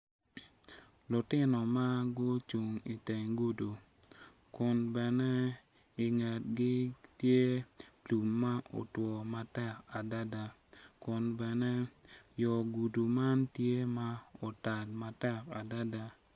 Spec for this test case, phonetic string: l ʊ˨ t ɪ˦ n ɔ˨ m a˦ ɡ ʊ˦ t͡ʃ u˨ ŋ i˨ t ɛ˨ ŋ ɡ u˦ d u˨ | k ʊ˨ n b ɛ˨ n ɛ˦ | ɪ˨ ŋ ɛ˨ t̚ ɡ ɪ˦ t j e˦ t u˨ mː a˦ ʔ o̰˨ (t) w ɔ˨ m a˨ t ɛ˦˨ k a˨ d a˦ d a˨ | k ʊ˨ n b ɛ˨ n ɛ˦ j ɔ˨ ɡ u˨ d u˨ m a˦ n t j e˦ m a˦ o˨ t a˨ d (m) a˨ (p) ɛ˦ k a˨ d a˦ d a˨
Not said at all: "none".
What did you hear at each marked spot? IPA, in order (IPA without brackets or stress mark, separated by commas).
t, m, t